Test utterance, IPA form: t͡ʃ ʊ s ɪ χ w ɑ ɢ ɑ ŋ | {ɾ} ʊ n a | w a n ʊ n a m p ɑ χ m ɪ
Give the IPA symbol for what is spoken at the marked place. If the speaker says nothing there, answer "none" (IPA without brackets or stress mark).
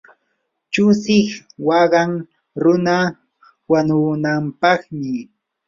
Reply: ɾ